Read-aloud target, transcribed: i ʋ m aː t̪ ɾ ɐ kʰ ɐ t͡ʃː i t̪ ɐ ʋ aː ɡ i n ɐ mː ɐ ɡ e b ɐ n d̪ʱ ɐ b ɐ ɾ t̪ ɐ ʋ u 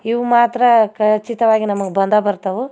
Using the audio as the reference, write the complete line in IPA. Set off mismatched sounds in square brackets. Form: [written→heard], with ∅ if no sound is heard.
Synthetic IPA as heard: i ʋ m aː t̪ ɾ ɐ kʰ ɐ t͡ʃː i t̪ ɐ ʋ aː ɡ i n ɐ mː ɐ ɡ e b ɐ n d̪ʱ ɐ b ɐ ɾ t̪ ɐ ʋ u